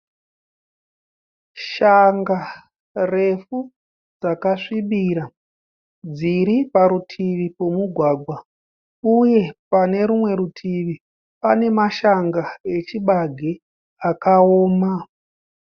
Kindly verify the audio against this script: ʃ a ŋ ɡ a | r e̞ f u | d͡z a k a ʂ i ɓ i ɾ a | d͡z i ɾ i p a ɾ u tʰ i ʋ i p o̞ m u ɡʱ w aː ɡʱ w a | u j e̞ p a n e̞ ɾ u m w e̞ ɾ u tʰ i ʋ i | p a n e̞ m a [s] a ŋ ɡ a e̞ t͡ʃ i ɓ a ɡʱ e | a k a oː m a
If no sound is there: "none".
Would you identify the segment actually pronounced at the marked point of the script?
ʃ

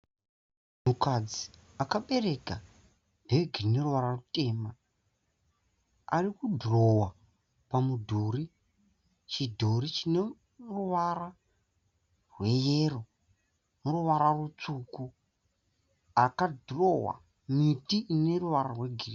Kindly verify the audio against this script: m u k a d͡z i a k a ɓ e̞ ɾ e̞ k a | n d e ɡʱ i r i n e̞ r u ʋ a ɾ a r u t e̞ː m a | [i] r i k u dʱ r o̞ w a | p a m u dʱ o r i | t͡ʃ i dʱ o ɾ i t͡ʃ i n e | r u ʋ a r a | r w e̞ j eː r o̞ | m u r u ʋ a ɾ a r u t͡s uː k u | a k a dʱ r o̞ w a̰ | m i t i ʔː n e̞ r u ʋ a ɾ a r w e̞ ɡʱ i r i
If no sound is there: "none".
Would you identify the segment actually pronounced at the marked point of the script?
a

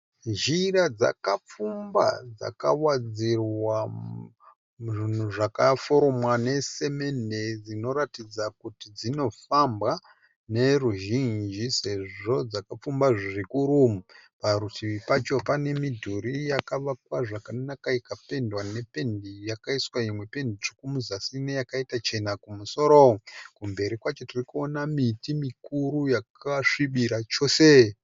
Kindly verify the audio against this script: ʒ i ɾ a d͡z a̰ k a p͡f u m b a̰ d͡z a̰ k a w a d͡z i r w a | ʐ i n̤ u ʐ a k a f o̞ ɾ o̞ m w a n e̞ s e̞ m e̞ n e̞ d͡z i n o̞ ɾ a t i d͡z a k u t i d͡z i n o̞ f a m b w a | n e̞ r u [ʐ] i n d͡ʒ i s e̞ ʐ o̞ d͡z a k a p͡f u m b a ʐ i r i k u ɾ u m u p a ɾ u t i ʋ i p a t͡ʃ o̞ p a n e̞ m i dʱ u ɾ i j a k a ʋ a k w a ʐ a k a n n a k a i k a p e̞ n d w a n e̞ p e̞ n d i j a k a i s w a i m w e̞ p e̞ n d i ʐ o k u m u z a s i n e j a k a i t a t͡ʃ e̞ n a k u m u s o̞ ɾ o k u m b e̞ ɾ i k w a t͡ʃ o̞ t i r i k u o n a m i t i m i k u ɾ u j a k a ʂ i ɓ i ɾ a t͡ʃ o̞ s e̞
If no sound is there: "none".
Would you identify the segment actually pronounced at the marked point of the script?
ʒ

